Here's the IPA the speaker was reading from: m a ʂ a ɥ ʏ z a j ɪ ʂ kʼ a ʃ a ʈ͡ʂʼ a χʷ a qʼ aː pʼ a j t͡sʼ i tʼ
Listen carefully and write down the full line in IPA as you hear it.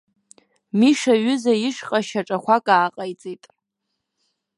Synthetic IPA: m i ʂ a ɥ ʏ z a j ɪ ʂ qʼ a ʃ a ʈ͡ʂʼ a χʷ a kʼ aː qʼ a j t͡sʼ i tʼ